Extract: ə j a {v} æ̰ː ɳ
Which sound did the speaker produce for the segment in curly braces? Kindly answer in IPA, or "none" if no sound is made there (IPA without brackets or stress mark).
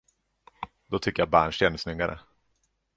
b